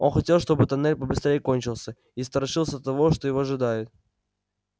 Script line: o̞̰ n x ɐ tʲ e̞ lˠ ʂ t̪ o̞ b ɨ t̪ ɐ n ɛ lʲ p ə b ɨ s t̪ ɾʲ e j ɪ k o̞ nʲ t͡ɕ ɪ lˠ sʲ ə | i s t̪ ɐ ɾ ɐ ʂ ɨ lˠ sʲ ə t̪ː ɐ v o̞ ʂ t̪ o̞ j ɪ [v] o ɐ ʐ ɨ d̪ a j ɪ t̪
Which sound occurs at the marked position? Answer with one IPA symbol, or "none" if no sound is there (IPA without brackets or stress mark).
v